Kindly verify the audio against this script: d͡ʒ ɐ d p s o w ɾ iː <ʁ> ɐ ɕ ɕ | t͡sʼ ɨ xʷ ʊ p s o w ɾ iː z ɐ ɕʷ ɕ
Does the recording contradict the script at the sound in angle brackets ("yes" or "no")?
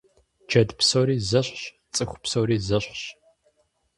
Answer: yes